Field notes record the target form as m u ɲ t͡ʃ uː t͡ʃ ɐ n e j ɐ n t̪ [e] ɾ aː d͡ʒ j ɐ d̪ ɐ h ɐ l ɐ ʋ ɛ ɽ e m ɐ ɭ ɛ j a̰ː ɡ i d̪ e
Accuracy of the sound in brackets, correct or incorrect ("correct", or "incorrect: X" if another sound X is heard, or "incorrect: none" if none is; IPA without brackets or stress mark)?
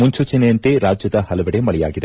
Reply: correct